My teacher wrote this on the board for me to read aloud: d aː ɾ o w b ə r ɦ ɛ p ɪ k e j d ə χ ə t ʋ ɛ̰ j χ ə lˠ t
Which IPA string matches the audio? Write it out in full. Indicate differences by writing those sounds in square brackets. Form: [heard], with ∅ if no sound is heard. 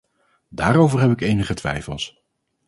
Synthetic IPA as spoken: d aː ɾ o w [v] ə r ɦ ɛ p ɪ k e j [n] ə χ ə t ʋ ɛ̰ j [f] ə lˠ [s]